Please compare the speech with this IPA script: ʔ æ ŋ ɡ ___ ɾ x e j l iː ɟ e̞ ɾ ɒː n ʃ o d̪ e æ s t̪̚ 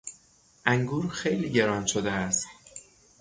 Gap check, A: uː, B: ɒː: A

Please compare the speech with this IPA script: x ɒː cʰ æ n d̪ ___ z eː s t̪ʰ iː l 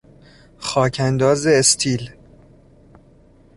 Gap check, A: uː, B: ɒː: B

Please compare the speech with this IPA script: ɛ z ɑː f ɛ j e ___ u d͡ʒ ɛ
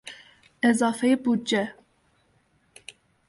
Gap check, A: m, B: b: B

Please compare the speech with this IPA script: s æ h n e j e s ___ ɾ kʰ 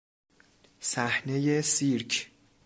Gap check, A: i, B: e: A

